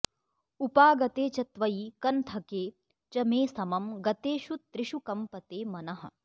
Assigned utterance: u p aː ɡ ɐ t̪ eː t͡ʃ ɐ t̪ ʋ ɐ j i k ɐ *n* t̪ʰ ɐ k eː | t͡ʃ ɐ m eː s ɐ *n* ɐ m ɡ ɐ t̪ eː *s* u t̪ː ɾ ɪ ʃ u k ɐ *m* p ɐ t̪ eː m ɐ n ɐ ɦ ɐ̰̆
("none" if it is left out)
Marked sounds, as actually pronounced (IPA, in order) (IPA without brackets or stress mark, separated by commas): n, m, ʃ, m